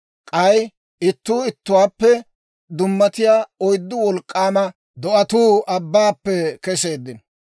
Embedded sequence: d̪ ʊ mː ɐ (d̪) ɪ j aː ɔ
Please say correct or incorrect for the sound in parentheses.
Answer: incorrect: t̪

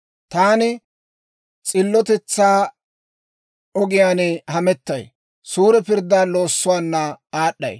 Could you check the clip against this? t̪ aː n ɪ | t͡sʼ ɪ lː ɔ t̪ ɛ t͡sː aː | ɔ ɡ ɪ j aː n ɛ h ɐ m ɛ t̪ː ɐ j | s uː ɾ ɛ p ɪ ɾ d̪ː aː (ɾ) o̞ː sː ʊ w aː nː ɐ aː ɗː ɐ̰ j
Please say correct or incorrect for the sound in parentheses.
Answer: incorrect: l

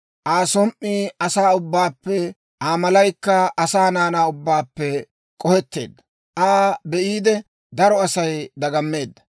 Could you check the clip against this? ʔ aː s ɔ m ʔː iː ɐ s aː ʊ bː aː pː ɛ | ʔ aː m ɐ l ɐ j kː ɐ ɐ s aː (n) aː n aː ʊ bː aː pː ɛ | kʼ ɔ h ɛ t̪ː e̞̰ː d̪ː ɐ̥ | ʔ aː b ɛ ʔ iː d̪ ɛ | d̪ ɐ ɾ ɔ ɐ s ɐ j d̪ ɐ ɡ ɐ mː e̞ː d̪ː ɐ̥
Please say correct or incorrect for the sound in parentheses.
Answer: correct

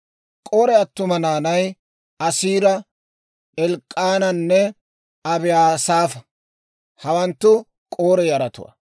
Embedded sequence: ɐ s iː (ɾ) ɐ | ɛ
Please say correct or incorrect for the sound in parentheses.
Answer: correct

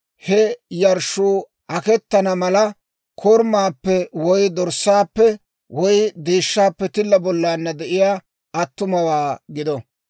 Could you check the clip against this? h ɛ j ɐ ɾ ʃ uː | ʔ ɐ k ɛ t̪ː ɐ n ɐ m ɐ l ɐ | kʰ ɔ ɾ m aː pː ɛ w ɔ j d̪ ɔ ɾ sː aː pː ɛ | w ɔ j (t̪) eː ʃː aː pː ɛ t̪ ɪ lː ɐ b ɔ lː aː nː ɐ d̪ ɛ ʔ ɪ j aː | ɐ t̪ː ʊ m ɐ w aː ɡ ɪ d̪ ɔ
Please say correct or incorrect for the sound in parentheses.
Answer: incorrect: d̪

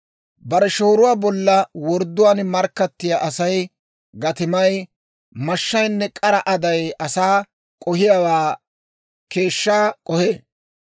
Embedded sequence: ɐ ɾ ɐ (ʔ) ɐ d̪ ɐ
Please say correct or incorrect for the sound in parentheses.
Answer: correct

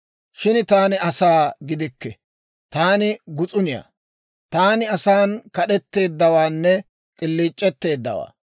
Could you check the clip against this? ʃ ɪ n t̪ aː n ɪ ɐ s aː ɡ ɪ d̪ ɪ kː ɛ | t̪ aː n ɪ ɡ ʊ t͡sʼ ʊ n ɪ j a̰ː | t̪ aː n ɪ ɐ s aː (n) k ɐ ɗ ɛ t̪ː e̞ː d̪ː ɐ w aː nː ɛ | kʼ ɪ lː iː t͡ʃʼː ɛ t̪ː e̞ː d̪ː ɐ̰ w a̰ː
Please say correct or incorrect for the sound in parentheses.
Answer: correct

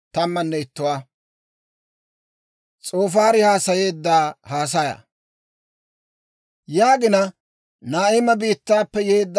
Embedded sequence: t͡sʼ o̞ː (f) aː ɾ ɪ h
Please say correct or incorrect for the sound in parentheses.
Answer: correct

